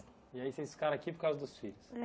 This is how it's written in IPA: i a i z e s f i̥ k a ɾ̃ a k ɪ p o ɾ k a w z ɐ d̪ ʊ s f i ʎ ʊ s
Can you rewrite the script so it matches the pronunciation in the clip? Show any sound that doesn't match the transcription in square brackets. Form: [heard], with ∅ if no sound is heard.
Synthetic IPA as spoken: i a i [s] e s f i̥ k a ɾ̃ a k [i] p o ɾ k a w z ɐ d̪ ʊ s f i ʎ ʊ s